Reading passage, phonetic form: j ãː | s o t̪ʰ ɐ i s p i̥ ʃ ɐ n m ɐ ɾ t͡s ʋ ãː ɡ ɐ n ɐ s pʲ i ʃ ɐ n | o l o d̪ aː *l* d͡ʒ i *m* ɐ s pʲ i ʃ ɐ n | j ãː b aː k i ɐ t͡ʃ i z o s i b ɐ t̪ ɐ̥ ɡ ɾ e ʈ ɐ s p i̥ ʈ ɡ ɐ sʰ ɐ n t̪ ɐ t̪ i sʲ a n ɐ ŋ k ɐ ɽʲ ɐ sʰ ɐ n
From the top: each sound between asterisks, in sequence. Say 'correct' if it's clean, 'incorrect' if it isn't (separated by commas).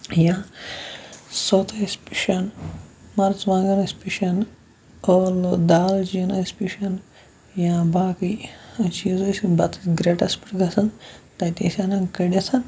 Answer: correct, incorrect